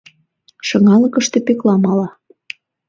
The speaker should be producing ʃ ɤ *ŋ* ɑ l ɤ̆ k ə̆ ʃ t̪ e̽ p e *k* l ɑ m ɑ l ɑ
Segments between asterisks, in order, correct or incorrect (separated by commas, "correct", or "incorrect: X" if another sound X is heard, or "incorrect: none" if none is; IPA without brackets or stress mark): correct, correct